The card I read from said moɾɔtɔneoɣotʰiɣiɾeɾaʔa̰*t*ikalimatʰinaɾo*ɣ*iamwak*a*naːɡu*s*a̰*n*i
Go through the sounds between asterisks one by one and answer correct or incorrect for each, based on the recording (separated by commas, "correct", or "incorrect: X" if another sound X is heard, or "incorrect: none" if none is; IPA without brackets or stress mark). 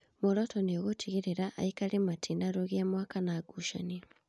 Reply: incorrect: none, correct, correct, incorrect: ʃ, correct